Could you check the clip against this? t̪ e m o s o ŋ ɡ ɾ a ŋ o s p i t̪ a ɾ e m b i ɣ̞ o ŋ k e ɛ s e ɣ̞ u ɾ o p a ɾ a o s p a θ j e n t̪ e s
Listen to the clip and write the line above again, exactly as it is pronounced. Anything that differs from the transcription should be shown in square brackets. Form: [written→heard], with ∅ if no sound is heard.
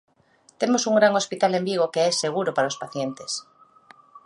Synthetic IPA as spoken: t̪ e m o s [o→u] ŋ ɡ ɾ a ŋ o s p i t̪ a [ɾ→l] e m b i ɣ̞ o [ŋ→∅] k e ɛ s e ɣ̞ u ɾ o p a ɾ a o s p a θ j e n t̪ e s